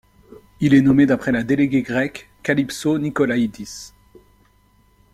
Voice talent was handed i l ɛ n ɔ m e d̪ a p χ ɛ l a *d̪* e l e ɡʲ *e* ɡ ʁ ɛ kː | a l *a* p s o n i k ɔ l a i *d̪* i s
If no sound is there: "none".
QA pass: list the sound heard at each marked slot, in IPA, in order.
d̪, e, i, d̪

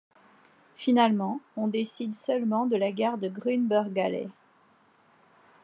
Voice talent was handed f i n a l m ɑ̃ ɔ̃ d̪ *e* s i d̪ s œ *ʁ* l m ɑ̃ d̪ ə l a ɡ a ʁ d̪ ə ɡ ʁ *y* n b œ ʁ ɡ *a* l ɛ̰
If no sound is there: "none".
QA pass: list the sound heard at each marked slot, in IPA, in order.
e, none, y, a

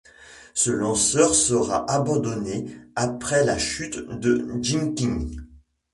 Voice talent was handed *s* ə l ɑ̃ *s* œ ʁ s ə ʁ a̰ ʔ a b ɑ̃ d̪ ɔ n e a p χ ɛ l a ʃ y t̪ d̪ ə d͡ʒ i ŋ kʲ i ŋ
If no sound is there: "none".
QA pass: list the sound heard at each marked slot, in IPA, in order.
s, s

